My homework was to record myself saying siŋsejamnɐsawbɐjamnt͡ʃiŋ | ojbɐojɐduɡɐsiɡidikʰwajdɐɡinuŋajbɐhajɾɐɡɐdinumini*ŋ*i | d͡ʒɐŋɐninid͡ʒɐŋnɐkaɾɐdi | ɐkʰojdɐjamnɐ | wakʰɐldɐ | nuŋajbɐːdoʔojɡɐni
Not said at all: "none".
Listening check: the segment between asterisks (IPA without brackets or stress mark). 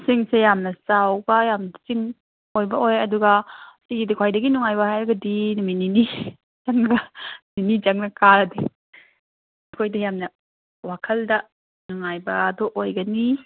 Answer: n